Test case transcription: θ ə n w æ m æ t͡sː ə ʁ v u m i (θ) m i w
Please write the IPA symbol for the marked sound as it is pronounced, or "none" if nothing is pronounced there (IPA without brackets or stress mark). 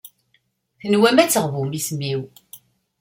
s